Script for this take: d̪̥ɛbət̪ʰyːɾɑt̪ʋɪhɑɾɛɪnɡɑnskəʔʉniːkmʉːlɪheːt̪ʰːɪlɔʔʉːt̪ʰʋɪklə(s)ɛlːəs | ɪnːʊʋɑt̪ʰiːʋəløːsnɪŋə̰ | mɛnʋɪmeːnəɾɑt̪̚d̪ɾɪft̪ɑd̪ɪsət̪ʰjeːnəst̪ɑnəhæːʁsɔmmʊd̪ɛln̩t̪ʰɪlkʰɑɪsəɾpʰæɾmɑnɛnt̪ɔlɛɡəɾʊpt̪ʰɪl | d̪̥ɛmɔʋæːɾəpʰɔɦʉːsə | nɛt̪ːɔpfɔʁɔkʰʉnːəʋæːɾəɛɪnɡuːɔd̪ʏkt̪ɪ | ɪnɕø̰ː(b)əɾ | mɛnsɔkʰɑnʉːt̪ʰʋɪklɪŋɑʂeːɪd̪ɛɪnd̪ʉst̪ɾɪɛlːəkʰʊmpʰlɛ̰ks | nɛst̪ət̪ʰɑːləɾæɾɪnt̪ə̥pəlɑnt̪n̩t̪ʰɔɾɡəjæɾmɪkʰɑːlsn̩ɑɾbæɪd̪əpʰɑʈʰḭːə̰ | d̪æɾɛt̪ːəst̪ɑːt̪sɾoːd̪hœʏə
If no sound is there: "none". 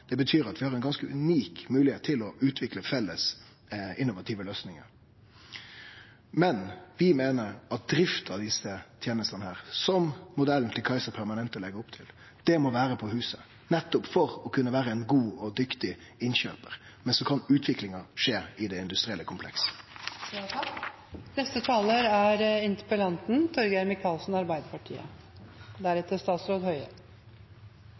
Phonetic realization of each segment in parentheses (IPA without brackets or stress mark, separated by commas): f, p